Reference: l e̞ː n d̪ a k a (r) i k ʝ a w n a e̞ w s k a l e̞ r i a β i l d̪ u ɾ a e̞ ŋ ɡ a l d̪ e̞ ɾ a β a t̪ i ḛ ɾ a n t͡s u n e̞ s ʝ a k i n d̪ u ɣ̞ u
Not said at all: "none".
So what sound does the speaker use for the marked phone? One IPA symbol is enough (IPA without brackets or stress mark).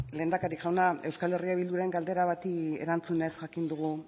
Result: ɾ